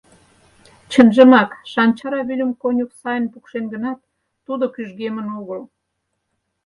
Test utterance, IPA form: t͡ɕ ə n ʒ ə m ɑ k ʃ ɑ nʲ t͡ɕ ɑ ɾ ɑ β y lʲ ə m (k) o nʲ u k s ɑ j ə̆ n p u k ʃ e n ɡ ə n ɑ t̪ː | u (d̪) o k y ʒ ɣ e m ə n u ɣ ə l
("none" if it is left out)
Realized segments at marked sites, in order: k, d̪

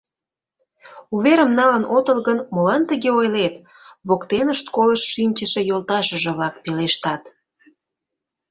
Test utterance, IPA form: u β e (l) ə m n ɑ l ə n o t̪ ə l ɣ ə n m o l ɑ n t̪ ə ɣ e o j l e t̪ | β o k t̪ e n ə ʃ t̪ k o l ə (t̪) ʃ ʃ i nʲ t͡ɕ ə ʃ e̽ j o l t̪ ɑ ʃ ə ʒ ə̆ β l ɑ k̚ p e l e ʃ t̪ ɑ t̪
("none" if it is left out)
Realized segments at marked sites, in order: ɾ, none

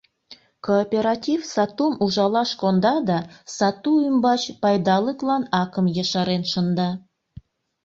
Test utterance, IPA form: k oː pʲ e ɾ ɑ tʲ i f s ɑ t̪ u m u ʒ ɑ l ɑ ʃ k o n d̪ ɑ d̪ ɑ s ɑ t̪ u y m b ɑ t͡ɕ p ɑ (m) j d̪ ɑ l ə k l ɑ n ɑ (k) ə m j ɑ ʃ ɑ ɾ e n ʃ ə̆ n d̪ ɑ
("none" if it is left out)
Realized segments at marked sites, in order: none, k

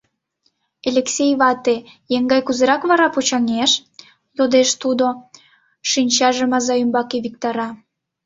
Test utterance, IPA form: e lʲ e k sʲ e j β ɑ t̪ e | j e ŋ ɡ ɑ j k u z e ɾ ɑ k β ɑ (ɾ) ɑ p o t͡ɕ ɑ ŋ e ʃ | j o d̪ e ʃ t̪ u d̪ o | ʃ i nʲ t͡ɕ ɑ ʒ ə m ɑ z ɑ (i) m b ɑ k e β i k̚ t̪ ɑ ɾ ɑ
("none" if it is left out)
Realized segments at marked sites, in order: ɾ, y

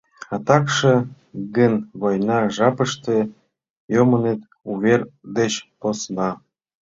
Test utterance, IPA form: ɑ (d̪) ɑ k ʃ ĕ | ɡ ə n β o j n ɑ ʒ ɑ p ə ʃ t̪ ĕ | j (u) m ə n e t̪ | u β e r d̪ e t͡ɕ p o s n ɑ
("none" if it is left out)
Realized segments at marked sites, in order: t̪, o

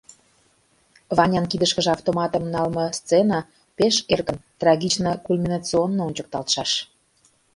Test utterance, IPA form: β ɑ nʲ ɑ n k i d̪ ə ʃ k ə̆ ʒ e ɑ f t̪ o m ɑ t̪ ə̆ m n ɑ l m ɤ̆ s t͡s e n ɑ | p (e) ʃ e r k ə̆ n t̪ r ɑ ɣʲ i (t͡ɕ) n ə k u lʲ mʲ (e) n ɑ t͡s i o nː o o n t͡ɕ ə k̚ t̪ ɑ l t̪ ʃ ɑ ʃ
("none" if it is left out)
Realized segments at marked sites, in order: e, t͡ɕ, i

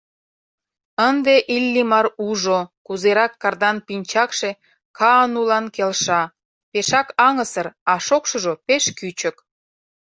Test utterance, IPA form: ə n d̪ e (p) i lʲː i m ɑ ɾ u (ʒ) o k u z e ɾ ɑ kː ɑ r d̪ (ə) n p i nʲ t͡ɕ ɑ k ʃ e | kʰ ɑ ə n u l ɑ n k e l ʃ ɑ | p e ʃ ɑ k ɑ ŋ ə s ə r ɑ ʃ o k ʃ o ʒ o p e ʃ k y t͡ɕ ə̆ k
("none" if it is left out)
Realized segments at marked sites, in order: ʔ, ʒ, ɑ

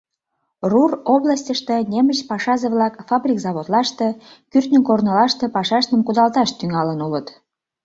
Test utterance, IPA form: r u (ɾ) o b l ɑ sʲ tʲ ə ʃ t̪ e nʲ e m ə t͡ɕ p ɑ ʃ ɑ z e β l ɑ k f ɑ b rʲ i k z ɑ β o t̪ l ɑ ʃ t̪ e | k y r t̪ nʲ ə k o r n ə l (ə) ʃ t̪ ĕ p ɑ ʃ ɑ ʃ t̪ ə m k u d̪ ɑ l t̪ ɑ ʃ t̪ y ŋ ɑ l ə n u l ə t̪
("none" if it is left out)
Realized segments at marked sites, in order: r, ɑ

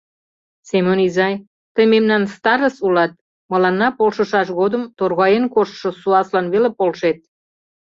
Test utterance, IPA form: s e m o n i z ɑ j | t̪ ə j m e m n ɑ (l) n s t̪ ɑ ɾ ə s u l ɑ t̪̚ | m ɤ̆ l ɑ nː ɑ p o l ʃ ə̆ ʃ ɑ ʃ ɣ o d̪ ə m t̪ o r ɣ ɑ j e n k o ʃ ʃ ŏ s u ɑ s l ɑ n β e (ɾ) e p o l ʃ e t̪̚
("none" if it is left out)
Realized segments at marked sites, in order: none, l

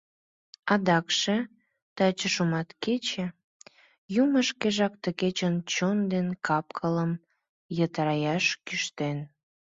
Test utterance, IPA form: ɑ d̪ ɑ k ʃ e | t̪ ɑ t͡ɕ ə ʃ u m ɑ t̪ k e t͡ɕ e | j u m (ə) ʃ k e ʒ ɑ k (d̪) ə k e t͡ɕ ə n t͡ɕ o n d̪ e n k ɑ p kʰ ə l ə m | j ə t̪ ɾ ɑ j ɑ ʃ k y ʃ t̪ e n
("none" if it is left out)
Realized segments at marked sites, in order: ə, t̪

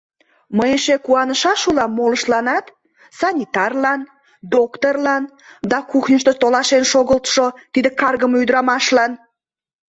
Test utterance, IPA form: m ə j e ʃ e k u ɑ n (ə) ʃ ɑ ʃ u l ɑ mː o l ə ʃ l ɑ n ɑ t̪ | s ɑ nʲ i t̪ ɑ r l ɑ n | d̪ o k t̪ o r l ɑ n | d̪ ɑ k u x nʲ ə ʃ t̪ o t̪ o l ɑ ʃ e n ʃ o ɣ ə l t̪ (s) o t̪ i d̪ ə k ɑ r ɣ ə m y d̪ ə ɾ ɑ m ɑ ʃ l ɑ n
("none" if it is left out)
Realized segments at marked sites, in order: ə, ʃ

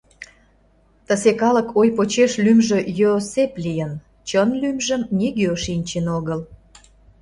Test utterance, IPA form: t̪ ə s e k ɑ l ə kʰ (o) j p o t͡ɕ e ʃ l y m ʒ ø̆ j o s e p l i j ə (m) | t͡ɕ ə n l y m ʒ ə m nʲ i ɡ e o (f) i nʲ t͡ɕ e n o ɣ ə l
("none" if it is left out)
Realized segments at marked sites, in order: o, n, ʃ

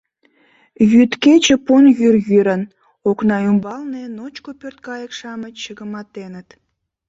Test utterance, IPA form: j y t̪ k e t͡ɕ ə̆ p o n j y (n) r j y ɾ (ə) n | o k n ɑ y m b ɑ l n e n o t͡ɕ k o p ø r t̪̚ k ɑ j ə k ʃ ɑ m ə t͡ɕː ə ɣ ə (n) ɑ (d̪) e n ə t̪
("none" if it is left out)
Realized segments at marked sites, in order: none, ə, m, t̪

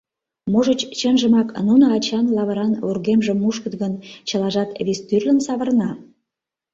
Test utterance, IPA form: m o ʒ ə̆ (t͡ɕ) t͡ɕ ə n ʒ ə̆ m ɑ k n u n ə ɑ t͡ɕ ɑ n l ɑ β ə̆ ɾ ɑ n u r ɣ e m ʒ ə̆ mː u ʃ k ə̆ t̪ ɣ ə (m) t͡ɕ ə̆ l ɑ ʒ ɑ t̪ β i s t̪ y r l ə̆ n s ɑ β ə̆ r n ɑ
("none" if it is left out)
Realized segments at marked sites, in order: t͡ɕ, n

